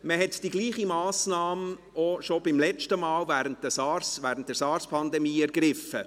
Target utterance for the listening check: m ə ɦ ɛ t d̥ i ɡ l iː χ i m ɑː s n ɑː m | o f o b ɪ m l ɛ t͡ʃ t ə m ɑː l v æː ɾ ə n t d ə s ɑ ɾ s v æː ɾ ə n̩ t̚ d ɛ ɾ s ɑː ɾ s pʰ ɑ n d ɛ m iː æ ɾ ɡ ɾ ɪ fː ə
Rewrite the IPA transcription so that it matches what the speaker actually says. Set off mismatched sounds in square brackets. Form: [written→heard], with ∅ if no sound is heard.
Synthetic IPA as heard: m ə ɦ ɛ t d̥ i ɡ l iː χ i m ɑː s n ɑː m | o [f→ʃ] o b ɪ m l ɛ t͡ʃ t ə m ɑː l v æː ɾ ə n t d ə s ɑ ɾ s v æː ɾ ə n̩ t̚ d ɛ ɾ s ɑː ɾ s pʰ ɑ n d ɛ m iː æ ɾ ɡ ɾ ɪ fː ə